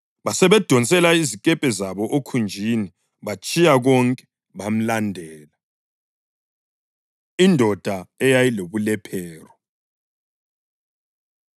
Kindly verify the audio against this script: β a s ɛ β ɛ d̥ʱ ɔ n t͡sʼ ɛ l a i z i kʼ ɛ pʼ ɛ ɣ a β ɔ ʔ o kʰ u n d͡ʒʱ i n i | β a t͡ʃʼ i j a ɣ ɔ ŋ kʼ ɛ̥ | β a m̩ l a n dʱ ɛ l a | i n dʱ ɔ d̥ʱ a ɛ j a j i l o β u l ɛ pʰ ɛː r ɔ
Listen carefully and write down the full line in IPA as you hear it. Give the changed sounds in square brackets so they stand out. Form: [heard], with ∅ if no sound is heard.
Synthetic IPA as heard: β a s ɛ β ɛ d̥ʱ ɔ n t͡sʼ ɛ l a i z i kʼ ɛ pʼ ɛ [z] a β ɔ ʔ o kʰ u n d͡ʒʱ i n i | β a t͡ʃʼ i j a ɣ ɔ ŋ kʼ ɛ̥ | β a m̩ l a n dʱ [ɛː] l a | i n dʱ ɔ d̥ʱ a ɛ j a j i l o β u l ɛ pʰ ɛː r ɔ